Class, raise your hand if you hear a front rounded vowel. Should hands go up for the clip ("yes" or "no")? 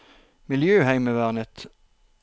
yes